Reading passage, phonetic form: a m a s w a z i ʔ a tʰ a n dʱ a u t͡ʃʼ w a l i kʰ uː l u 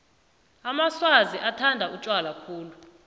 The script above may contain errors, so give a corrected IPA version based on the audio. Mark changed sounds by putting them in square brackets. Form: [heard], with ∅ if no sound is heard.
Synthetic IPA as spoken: a m a s w a z i ʔ a tʰ a n dʱ a u t͡ʃʼ w a l [a] kʰ uː l u